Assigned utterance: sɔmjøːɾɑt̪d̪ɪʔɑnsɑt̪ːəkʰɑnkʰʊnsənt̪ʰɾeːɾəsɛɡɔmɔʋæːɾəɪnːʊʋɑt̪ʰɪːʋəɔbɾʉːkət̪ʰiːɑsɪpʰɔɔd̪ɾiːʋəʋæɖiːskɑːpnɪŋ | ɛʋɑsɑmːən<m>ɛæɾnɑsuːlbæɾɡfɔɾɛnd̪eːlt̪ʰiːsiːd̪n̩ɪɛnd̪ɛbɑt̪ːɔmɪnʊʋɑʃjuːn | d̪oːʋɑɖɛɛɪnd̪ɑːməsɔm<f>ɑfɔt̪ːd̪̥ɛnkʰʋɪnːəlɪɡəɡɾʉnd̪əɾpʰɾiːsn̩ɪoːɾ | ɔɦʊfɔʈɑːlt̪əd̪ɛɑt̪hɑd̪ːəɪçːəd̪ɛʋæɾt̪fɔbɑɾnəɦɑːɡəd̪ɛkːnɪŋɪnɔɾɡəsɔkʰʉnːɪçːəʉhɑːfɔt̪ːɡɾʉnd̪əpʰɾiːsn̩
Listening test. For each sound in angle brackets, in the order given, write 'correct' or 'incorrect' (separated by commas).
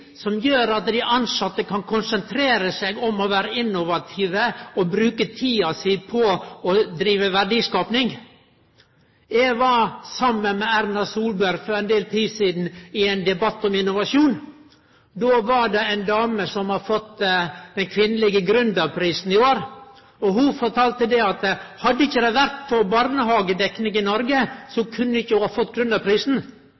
correct, incorrect